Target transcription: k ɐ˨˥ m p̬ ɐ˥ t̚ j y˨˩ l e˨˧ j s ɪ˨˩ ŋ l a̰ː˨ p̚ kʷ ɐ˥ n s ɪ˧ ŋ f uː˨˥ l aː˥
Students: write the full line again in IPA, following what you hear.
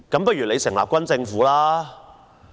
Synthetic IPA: k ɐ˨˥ m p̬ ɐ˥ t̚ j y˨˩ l e˨˧ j s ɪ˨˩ ŋ l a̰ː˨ p̚ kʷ ɐ˥ n t͡s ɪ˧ ŋ f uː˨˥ l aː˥